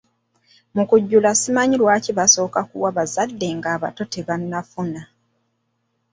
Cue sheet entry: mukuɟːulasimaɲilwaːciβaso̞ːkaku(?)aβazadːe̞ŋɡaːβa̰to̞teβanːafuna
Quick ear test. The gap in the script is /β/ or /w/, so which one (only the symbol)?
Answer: w